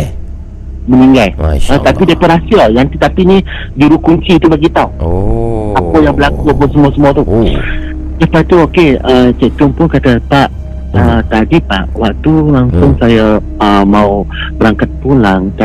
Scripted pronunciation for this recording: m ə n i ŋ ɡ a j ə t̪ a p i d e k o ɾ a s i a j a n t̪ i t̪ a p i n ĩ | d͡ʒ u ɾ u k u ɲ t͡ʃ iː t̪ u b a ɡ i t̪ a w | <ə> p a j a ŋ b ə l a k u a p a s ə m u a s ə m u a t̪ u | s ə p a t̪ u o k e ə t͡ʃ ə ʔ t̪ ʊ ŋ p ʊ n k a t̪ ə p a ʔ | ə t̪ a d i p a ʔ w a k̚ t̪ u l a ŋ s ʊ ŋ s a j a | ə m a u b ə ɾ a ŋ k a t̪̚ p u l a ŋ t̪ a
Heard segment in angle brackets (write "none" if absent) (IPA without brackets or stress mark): a